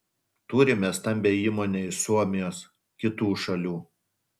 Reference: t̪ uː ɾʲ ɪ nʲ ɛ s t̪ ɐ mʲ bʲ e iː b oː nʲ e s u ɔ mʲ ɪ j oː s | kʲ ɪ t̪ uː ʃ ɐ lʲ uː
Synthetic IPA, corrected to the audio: t̪ uː ɾʲ ɪ mʲ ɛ s t̪ ɐ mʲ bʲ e iː m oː nʲ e s u ɔ mʲ ɪ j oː s | kʲ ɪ t̪ uː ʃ ɐ lʲ uː

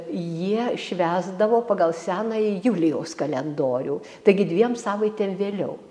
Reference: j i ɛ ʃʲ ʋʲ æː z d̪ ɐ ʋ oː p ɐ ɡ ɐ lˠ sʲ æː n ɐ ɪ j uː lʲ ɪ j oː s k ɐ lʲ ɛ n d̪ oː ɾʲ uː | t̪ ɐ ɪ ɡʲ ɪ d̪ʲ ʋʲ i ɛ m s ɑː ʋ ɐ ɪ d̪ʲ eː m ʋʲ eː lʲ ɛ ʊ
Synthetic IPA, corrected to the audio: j i ɛ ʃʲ ʋʲ æː z d̪ ɐ ʋ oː p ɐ ɡ ɐ lˠ sʲ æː n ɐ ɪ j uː lʲ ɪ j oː s k ɐ lʲ ɛ n d̪ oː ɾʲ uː | t̪ ɐ ɪ ɡʲ ɪ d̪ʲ ʋʲ i ɛ m s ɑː ʋ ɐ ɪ t̪ʲ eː m ʋʲ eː lʲ ɛ ʊ

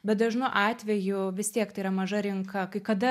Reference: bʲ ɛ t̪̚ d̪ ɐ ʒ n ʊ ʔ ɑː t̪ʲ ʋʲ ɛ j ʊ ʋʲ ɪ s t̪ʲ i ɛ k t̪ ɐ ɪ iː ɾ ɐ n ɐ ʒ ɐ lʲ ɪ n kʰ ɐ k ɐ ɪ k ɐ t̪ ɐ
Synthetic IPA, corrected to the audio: bʲ ɛ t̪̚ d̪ ɐ ʒ n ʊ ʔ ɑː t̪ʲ ʋʲ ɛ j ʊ ʋʲ ɪ s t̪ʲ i ɛ k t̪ ɐ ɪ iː ɾ ɐ m ɐ ʒ ɐ ɾʲ ɪ ŋ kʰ ɐ k ɐ ɪ k ɐ d̪ ɐ

